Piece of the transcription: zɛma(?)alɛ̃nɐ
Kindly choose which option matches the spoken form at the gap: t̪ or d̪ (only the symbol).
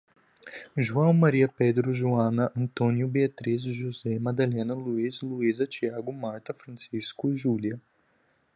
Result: d̪